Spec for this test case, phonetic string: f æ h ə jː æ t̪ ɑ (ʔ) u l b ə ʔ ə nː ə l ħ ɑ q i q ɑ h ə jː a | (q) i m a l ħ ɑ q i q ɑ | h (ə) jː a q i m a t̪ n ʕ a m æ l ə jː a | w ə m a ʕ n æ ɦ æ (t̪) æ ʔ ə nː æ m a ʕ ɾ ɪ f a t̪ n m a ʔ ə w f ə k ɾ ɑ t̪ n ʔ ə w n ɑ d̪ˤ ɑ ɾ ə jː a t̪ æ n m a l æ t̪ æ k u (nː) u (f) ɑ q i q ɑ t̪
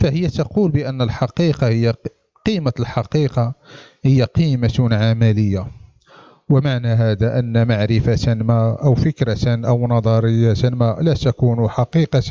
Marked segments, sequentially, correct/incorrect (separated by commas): incorrect, correct, correct, incorrect, incorrect, incorrect